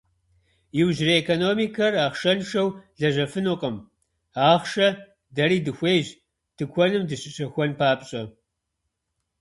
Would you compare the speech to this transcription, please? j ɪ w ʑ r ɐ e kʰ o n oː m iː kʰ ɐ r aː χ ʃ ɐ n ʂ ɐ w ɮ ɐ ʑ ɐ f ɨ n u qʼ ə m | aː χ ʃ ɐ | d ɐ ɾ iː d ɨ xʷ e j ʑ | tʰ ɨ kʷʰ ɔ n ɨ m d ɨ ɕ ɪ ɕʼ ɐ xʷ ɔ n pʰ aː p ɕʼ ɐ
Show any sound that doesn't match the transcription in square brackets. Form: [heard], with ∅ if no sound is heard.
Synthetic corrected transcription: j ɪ w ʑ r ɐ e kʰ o n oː m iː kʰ ɐ r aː χ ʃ ɐ n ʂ ɐ w ɮ ɐ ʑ ɐ f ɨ n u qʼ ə m | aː χ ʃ ɐ | d ɐ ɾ iː d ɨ xʷ e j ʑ | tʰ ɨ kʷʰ ɔ n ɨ m d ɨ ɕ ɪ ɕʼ ɐ xʷ ɔ n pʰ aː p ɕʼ ɐ